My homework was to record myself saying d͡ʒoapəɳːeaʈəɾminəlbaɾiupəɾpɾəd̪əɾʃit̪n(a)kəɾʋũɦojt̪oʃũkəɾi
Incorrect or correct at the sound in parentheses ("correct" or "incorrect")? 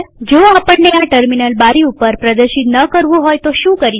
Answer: incorrect